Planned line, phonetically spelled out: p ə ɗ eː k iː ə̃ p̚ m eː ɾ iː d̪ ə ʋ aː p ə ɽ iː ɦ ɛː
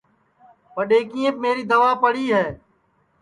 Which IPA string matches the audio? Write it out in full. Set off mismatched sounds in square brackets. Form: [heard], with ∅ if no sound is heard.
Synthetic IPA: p ə ɗ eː k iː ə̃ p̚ m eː ɾ iː d̪ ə ʋ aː p ə ɽ iː ɦ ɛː